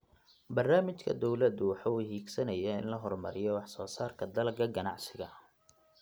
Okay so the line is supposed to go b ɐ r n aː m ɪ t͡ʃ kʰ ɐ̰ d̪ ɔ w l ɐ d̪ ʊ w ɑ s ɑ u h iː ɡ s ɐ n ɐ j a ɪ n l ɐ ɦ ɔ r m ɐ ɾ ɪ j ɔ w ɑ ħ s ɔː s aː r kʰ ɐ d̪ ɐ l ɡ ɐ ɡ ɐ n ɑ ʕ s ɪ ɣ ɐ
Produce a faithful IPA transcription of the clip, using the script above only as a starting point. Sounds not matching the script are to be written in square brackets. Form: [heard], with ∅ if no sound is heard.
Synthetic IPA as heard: b ɐ r n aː m ɪ t͡ʃ kʰ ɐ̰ d̪ ɔ w l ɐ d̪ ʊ w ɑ [ħ] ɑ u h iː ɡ s ɐ n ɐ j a ɪ n l ɐ ɦ ɔ r m ɐ ɾ ɪ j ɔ w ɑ ħ s ɔː s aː r kʰ ɐ d̪ ɐ l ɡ ɐ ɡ ɐ n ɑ ʕ s ɪ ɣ ɐ

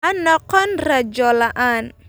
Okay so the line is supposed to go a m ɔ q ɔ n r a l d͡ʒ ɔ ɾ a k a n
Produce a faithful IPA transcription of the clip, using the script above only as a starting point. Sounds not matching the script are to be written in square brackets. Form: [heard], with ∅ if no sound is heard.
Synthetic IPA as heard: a [n] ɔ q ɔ n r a [∅] d͡ʒ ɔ [l] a [ʔ] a n

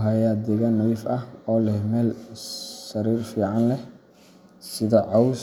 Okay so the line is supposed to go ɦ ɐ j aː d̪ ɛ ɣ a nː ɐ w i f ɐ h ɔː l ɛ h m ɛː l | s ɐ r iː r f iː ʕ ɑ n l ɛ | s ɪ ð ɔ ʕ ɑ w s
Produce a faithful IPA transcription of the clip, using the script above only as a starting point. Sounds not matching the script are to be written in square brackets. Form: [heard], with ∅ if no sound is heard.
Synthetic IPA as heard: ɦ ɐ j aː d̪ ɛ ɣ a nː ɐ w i f ɐ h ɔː l ɛ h m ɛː l | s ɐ [ɾ] iː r f iː ʕ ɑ n l ɛ | s ɪ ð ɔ ʕ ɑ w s

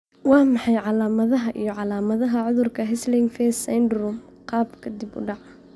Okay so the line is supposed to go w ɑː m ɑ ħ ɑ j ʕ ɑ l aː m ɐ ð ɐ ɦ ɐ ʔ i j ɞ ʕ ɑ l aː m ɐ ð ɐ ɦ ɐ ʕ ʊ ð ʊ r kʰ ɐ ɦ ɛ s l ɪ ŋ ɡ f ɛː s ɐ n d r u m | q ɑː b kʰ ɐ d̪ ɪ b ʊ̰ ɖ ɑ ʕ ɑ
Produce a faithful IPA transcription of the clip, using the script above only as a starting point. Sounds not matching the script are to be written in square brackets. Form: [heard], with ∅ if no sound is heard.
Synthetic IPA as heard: w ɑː m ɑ ħ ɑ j ʕ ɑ l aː m ɐ ð ɐ ɦ ɐ ʔ i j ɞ ʕ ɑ l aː m ɐ ð ɐ ɦ ɐ ʕ ʊ ð ʊ r kʰ ɐ ɦ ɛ s l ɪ ŋ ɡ f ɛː s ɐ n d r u m | q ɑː b kʰ ɐ d̪ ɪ b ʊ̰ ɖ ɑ ʕ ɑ

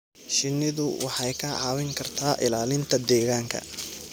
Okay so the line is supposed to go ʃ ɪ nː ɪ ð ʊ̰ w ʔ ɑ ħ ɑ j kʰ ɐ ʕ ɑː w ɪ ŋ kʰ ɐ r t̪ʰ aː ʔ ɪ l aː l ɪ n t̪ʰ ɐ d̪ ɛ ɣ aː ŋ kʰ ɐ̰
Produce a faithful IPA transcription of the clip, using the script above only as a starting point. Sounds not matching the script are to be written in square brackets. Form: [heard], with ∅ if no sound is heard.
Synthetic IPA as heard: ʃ ɪ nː ɪ ð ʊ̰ w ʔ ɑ ħ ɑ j kʰ ɐ ʕ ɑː w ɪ ŋ kʰ ɐ r t̪ʰ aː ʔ ɪ l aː l ɪ n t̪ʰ ɐ d̪ [ɛː] ɣ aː ŋ kʰ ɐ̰

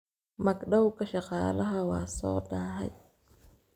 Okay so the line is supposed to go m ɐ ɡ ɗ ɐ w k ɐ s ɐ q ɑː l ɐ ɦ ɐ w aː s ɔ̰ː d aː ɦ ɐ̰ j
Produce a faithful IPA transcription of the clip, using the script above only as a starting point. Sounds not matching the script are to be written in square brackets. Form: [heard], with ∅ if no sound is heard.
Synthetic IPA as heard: m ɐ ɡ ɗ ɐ w k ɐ [ʃ] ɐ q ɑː l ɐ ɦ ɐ w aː s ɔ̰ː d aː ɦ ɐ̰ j

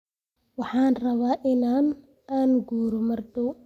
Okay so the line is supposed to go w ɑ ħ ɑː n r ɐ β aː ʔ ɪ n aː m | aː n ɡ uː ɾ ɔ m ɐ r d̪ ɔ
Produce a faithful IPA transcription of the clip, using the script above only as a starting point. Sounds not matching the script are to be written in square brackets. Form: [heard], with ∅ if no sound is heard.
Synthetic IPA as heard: w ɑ ħ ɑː n r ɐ β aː ʔ ɪ n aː [n] | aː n ɡ uː ɾ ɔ m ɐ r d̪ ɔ

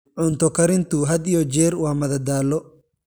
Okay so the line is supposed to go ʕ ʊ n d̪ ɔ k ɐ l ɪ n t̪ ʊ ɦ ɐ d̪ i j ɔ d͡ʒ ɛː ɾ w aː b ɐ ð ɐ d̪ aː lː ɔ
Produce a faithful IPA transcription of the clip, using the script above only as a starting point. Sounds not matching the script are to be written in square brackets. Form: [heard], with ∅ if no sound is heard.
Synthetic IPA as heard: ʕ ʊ n [t̪] ɔ k ɐ [ɾ] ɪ n t̪ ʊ ɦ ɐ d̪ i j ɔ d͡ʒ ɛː ɾ w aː [m] ɐ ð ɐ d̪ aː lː ɔ

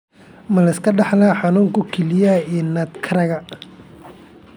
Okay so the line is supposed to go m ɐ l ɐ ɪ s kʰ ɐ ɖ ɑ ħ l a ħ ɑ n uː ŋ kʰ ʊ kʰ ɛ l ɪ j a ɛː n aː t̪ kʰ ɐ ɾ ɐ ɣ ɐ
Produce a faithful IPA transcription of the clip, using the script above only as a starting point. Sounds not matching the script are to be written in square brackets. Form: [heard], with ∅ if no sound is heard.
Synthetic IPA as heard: m ɐ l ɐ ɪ s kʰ ɐ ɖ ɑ ħ l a ħ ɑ n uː ŋ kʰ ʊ kʰ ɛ l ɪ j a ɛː n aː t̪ kʰ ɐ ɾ ɐ ɣ ɐ

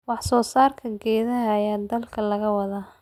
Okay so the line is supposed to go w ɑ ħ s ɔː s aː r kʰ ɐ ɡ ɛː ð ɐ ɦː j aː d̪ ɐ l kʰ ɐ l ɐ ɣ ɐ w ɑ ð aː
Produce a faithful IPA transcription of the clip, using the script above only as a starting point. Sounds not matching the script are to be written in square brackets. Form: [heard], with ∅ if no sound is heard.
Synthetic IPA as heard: w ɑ ħ s ɔː s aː r kʰ ɐ ɡ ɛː ð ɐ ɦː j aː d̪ ɐ l kʰ ɐ l ɐ ɣ ɐ w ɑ ð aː

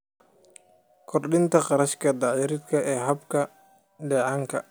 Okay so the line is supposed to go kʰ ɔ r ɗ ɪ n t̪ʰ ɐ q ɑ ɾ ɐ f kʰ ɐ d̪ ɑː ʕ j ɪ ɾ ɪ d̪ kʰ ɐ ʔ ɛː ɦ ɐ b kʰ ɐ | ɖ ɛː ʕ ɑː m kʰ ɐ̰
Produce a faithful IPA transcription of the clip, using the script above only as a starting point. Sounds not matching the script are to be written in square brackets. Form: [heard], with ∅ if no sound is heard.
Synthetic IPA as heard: kʰ ɔ r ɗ ɪ n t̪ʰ ɐ q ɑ ɾ ɐ [ʃ] kʰ ɐ d̪ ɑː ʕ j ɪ ɾ ɪ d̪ kʰ ɐ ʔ ɛː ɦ ɐ b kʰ ɐ | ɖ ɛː ʕ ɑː [ŋ] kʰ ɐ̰

